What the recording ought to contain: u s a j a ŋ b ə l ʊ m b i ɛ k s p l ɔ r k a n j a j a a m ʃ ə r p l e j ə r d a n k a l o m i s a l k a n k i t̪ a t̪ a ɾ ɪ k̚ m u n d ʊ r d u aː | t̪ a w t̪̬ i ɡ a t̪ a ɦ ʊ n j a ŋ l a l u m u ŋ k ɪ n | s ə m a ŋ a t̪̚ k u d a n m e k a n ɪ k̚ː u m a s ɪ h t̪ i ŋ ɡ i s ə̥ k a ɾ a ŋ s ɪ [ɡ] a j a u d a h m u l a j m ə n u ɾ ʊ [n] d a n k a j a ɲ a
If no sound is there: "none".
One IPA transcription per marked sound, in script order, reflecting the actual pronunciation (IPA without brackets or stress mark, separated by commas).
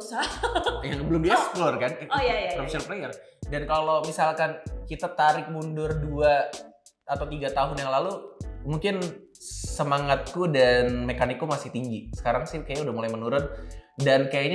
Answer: k, n